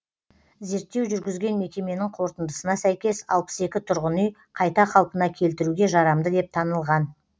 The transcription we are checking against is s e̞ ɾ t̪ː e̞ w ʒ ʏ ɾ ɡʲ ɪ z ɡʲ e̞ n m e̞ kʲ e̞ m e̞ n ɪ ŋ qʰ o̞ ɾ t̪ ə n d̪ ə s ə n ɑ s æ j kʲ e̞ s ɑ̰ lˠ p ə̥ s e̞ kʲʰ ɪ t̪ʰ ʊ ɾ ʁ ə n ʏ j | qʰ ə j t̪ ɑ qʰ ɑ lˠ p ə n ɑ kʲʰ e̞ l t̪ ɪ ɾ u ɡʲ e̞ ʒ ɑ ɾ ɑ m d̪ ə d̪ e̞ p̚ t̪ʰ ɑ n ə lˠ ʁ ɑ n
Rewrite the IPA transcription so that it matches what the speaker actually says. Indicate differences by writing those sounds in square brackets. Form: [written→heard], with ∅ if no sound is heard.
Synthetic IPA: [s→z] e̞ ɾ t̪ː e̞ w ʒ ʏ ɾ ɡʲ ɪ z ɡʲ e̞ n m e̞ kʲ e̞ m e̞ n ɪ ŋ qʰ o̞ ɾ t̪ ə n d̪ ə s ə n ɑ s æ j kʲ e̞ s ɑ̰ lˠ p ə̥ s e̞ [kʲʰ→kʲ] ɪ t̪ʰ ʊ ɾ ʁ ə n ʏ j | qʰ [ə→ɑ] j t̪ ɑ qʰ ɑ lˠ p ə n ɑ kʲʰ e̞ l t̪ ɪ ɾ u ɡʲ e̞ ʒ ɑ ɾ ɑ m d̪ ə d̪ e̞ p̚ t̪ʰ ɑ n ə lˠ ʁ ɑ n